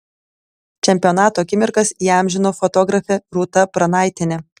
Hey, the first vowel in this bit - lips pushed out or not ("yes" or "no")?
no